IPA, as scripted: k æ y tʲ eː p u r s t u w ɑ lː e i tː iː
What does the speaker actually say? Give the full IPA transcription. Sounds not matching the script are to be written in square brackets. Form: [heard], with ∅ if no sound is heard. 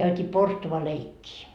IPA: k æ y tʲ [iː] p [o] r s t u [ʋ] ɑ [l] e i [kː] iː